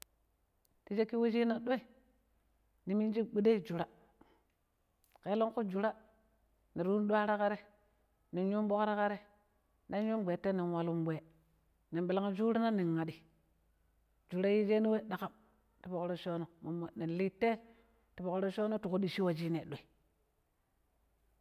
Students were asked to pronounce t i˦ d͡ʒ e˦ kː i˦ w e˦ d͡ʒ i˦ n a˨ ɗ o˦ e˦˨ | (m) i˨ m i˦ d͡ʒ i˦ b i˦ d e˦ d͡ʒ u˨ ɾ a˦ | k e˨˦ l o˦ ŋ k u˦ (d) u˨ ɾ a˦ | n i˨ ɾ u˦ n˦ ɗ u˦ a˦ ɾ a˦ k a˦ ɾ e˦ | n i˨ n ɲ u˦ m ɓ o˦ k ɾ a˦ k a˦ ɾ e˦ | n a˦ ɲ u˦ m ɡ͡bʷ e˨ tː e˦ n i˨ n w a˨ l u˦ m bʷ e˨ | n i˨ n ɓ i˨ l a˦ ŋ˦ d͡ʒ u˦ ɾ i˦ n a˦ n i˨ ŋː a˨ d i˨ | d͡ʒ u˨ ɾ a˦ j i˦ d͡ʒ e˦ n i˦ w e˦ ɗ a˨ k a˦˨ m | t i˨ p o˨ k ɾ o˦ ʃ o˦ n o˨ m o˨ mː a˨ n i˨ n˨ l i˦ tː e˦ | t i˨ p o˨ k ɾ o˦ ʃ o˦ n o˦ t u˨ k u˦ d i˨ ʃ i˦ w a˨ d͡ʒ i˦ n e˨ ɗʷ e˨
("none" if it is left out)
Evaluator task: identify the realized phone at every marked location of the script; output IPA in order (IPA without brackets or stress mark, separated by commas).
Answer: n, d͡ʒ